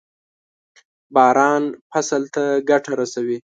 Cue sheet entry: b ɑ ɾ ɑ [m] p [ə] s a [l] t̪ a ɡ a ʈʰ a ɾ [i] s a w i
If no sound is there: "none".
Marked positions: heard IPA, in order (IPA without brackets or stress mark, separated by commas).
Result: n, a, l, a